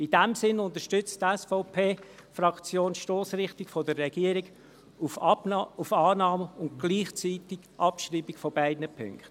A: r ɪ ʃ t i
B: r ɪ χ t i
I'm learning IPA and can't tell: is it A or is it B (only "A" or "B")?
B